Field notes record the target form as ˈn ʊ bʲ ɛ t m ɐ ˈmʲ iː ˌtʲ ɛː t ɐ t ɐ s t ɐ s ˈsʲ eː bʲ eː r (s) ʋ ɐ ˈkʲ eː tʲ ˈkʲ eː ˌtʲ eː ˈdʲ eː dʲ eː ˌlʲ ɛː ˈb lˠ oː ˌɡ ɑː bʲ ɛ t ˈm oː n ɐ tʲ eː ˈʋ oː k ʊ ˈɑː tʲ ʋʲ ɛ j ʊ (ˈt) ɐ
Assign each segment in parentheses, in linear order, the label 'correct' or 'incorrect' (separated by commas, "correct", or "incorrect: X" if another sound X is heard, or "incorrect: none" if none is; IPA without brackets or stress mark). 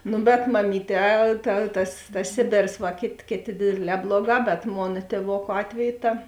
correct, correct